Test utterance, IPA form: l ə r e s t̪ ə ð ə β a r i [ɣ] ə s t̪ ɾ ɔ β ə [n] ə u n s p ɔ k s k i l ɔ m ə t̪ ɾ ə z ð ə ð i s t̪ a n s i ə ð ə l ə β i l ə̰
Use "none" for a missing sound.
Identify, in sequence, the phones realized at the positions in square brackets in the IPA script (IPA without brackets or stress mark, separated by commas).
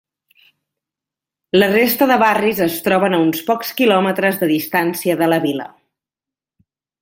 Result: z, n